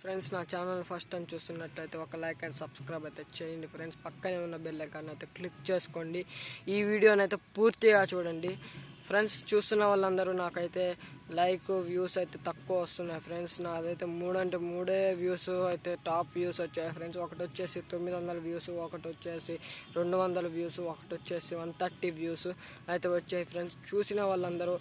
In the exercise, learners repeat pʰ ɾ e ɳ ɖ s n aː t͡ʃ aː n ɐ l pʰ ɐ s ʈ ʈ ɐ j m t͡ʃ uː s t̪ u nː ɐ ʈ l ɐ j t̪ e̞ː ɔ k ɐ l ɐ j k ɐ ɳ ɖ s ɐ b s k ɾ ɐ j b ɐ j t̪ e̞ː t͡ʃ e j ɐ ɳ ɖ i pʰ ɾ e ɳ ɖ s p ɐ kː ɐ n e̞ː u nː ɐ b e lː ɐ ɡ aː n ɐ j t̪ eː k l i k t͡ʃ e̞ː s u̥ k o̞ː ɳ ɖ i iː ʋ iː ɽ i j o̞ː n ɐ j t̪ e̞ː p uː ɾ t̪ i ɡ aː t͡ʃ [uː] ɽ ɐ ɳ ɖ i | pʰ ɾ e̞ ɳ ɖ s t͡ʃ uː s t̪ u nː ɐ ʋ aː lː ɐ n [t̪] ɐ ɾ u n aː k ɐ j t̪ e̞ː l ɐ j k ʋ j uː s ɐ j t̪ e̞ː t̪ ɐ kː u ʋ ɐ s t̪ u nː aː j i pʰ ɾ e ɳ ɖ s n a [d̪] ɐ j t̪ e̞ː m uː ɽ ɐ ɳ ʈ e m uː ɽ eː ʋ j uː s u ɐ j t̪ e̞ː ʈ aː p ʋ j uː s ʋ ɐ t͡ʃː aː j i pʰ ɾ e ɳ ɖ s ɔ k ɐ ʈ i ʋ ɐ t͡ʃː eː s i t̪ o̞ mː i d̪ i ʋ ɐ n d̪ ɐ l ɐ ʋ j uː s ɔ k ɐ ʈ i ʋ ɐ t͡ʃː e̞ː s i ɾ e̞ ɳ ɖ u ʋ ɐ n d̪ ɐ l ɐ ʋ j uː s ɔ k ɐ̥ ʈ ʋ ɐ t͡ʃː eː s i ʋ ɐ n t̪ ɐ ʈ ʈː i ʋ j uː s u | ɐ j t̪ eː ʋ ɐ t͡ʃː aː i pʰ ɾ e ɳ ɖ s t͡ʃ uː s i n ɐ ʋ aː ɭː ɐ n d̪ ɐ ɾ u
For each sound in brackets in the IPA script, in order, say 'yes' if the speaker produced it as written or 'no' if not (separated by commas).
yes, no, yes